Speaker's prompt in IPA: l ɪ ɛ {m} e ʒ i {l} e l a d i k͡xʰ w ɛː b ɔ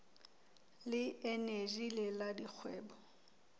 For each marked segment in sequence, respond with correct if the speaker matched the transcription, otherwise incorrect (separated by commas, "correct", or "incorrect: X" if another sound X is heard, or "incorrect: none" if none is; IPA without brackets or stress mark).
incorrect: n, correct